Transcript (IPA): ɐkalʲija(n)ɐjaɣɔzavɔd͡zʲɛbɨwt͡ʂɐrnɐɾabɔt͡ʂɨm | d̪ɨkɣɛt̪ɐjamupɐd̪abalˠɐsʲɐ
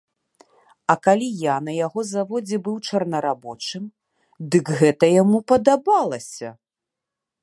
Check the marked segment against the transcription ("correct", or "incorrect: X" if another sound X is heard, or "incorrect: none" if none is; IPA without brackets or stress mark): correct